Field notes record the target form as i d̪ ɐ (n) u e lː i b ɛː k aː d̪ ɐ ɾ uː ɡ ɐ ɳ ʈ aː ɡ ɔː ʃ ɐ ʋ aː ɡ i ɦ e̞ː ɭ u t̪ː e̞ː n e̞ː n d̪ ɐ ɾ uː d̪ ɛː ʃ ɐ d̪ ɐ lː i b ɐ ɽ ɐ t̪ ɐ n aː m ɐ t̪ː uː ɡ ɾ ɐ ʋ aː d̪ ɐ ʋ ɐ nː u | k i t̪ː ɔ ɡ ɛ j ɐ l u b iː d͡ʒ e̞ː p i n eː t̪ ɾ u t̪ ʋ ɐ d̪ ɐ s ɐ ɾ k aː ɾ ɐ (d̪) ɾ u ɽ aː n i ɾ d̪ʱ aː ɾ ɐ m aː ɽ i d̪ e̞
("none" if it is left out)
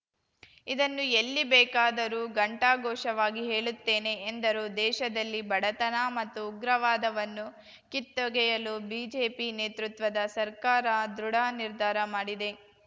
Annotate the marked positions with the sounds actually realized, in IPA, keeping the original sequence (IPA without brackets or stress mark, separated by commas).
nː, d̪